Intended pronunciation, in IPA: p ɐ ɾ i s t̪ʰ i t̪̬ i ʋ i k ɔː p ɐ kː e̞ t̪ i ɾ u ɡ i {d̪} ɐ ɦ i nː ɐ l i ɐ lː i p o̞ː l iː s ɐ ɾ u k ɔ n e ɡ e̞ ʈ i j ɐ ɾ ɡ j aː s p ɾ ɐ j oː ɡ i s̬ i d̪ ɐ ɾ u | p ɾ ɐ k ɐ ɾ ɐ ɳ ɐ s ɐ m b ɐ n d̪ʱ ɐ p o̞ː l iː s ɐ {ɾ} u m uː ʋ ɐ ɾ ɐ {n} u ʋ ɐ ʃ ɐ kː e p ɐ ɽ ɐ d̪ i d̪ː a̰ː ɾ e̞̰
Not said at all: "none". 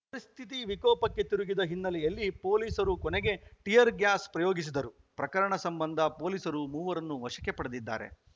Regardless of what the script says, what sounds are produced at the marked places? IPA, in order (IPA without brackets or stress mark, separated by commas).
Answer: d̪, ɾ, nː